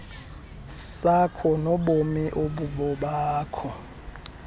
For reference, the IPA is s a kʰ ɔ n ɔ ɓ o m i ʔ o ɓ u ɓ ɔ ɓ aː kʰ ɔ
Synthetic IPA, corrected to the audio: s a kʰ ɔ n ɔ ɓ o m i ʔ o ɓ u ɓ ɔ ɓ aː kʰ ɔ